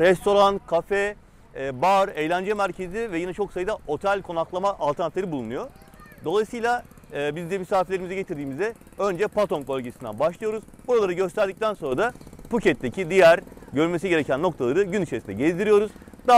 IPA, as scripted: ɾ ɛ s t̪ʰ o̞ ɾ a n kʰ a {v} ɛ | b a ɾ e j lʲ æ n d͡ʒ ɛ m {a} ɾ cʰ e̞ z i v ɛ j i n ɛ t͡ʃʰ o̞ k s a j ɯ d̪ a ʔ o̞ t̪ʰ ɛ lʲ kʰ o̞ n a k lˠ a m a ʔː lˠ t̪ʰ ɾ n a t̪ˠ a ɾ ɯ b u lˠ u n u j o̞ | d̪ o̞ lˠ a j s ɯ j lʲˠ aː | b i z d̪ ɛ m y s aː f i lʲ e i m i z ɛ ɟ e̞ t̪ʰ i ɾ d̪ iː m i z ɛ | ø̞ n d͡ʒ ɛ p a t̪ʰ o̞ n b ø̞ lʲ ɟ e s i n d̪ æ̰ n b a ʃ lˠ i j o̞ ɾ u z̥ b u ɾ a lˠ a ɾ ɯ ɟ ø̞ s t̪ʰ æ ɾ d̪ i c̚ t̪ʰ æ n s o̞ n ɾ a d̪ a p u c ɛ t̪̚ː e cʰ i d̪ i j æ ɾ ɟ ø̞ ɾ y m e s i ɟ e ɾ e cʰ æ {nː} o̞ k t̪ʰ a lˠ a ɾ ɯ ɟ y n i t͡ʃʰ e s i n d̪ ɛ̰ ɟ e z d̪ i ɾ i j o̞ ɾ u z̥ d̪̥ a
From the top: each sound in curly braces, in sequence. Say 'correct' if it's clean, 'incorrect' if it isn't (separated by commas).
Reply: incorrect, incorrect, correct